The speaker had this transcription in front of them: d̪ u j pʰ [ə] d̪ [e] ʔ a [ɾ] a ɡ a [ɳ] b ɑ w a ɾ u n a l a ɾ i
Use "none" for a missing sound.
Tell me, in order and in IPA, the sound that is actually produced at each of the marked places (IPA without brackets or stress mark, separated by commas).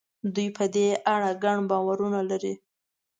ə, e, ɽ, ɳ